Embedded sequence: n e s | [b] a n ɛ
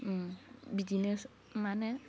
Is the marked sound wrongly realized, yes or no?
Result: yes